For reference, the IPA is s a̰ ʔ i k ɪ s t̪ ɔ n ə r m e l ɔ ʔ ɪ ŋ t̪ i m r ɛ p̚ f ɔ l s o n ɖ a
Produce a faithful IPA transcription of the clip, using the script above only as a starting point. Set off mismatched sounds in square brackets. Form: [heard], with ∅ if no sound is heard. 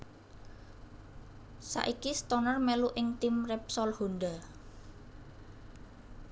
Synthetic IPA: s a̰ ʔ i k [i] s t̪ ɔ n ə r m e l [u] ʔ ɪ ŋ t̪ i m r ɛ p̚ [s] ɔ l [h] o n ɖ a